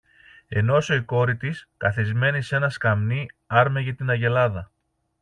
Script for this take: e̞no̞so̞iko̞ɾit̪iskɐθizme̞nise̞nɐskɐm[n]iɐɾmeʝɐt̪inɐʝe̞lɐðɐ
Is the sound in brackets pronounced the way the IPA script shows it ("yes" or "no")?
yes